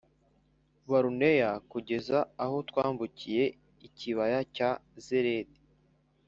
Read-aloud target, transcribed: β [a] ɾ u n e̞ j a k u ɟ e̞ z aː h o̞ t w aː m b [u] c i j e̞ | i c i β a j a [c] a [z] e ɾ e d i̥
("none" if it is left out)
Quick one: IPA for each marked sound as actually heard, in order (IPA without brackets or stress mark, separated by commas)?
a, u, c, z